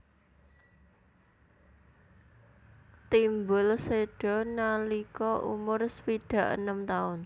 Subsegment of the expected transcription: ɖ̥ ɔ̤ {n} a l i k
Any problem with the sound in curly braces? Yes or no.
no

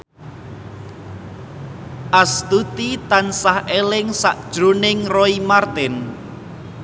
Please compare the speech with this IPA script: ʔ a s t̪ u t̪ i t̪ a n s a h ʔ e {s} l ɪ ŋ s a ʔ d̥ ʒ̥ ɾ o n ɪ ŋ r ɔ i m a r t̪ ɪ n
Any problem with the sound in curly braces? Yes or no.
yes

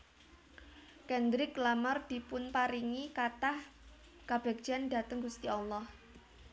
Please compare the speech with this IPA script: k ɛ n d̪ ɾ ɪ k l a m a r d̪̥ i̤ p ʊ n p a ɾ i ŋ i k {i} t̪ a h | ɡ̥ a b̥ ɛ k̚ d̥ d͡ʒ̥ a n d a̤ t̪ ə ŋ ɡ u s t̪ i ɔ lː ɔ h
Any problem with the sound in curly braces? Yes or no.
yes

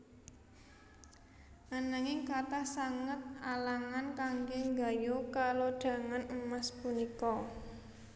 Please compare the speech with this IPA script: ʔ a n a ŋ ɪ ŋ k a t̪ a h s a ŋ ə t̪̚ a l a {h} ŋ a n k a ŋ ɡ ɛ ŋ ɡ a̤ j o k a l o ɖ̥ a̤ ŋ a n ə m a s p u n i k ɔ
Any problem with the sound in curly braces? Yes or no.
yes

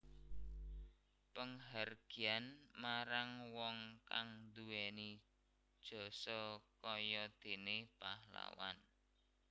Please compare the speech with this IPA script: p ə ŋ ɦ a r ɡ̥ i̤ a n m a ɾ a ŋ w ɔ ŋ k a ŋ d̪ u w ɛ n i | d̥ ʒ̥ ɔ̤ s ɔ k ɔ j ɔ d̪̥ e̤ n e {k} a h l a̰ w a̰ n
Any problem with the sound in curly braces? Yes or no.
yes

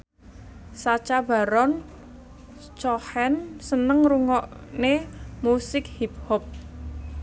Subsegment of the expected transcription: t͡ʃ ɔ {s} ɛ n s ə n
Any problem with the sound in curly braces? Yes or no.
yes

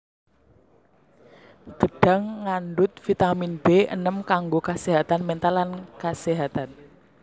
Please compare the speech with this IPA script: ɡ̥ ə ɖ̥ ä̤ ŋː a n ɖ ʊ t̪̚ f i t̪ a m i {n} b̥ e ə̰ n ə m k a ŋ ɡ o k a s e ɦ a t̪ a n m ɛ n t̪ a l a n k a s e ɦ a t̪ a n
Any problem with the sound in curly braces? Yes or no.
no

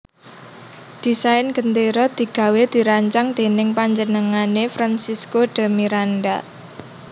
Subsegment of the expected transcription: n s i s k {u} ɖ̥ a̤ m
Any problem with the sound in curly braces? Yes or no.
yes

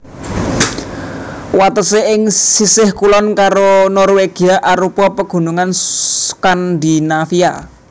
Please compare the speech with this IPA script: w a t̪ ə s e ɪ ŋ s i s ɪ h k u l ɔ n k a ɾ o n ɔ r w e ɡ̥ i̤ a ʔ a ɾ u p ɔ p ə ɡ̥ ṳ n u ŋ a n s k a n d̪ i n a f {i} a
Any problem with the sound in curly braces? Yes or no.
no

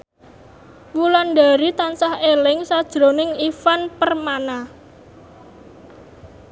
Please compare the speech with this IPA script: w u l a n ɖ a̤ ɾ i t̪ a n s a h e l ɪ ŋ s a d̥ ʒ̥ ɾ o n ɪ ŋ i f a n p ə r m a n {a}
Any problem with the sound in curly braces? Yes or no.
no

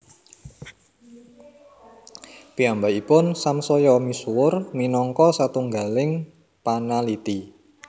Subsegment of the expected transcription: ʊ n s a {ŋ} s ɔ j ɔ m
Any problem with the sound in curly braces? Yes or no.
yes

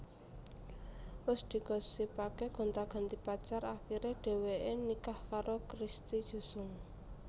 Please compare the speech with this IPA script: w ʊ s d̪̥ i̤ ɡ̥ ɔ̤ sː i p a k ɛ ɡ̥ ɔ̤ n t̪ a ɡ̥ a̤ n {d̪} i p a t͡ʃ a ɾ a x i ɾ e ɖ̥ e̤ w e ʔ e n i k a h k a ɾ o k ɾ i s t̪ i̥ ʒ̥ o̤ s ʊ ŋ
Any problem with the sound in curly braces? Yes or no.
yes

